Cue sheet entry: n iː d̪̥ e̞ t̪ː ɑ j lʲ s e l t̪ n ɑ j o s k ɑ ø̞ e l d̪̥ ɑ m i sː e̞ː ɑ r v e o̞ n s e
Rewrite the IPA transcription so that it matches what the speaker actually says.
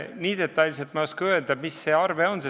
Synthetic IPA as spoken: n iː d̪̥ e̞ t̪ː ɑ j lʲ s e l t̪ m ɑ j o s k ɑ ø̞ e l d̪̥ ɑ m i sː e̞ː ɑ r v e o̞ n s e